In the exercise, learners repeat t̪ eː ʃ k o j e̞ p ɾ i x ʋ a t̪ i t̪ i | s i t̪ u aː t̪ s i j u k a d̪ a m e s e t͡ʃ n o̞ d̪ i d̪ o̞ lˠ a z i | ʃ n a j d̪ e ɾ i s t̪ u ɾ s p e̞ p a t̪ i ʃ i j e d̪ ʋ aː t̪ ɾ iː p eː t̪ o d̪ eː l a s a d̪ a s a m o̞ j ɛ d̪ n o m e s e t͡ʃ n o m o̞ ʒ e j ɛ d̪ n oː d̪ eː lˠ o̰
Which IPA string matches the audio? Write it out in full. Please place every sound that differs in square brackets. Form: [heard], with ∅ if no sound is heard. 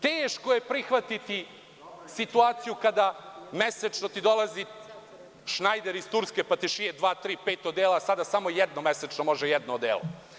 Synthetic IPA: t̪ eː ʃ k o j e̞ p ɾ i x ʋ a t̪ i t̪ i | s i t̪ u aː t̪ s i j u k a d̪ a m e s e t͡ʃ n o̞ [t̪] i d̪ o̞ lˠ a z i | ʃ n a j d̪ e ɾ i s t̪ u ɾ s [k] e̞ p a t̪ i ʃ i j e d̪ ʋ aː t̪ ɾ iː p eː t̪ o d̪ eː l a s a d̪ a s a m o̞ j ɛ d̪ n o m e s e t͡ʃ n o m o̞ ʒ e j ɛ d̪ n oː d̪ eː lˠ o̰